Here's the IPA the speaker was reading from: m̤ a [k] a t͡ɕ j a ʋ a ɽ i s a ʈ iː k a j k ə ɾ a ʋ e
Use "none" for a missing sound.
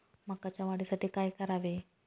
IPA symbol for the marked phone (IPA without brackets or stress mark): k